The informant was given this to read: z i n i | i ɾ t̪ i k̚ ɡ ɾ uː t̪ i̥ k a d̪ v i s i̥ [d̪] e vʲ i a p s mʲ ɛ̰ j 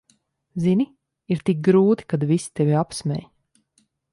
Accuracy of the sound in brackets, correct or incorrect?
incorrect